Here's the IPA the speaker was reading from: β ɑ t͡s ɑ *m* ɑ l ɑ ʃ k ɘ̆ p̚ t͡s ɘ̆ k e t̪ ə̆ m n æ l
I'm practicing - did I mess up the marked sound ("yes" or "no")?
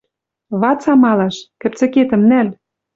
no